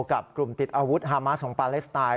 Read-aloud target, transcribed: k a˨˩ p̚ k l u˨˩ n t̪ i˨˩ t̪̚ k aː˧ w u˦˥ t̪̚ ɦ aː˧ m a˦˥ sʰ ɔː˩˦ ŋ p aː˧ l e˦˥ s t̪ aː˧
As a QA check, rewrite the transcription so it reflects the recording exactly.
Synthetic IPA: k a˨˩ p̚ k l u˨˩ m t̪ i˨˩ t̪̚ ʔ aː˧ w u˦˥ t̪̚ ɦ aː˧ m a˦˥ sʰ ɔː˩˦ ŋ p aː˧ l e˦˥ s t̪ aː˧